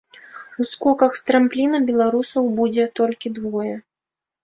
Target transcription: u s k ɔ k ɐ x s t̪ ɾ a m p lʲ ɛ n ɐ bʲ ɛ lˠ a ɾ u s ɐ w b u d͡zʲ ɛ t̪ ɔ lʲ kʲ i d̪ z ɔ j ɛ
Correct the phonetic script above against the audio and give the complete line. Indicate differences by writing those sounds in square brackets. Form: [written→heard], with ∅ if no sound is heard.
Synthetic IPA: u s k ɔ k ɐ x s t̪ ɾ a m p lʲ [ɛ→i] n ɐ bʲ ɛ lˠ a ɾ u s ɐ w b u d͡zʲ ɛ t̪ ɔ lʲ kʲ i d̪ [z→v] ɔ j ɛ